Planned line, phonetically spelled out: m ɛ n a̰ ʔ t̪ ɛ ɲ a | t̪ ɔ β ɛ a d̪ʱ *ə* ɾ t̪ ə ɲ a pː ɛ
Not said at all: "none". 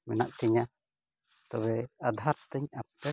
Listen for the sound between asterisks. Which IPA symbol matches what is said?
a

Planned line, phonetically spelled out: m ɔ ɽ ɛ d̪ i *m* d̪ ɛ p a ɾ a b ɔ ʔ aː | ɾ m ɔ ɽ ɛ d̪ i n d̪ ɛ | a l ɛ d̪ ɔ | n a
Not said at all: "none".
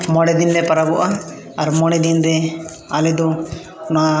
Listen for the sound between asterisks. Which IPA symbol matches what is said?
n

